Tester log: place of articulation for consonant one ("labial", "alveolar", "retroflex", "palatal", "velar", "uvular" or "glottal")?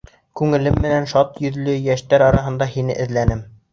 velar